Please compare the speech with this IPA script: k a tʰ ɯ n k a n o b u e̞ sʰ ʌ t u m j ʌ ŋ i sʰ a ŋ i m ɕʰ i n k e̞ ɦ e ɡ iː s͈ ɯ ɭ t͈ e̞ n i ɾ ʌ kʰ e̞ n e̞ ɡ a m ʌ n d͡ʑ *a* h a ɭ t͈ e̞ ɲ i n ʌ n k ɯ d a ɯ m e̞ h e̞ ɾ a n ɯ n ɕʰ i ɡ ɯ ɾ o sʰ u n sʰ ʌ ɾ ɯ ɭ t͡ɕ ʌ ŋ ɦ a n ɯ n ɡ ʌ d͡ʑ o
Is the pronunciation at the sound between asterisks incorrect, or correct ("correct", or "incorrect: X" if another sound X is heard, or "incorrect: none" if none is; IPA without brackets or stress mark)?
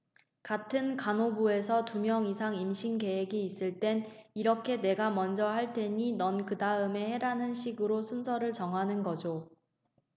incorrect: ʌ